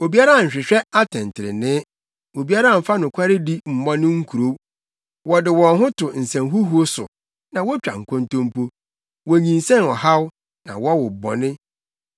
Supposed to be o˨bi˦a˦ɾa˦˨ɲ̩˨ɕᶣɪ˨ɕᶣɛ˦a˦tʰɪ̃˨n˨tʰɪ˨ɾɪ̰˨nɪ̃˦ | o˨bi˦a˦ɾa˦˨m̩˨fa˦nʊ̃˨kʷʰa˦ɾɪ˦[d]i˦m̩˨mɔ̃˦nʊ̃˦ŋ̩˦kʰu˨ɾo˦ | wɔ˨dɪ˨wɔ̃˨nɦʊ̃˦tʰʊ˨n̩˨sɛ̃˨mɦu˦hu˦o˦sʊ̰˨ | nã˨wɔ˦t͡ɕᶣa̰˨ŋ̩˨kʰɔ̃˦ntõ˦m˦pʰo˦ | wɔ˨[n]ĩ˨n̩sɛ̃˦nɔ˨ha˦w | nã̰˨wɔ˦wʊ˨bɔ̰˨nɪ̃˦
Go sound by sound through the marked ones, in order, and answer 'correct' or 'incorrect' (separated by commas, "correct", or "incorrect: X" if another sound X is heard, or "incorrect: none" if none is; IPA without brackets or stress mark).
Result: correct, incorrect: ɲ